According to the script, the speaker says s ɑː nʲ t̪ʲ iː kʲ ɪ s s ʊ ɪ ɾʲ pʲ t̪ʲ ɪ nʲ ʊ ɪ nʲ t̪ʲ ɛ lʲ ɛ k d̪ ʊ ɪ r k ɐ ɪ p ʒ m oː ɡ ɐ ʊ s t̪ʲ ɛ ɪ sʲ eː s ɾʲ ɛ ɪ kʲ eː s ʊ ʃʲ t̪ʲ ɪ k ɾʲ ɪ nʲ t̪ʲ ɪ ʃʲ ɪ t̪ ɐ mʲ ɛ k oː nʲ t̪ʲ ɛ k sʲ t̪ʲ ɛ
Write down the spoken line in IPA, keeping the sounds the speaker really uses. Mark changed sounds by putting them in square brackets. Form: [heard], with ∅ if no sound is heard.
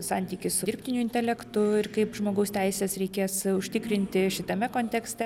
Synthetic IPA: s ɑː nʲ t̪ʲ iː kʲ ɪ s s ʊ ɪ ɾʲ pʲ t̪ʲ ɪ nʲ ʊ ɪ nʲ t̪ʲ ɛ lʲ ɛ k [t̪] ʊ ɪ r k ɐ ɪ p ʒ m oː ɡ ɐ ʊ s t̪ʲ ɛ ɪ sʲ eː s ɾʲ ɛ ɪ kʲ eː s ʊ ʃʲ t̪ʲ ɪ k ɾʲ ɪ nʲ t̪ʲ ɪ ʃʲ ɪ t̪ ɐ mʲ ɛ k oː nʲ t̪ʲ ɛ k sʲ t̪ʲ ɛ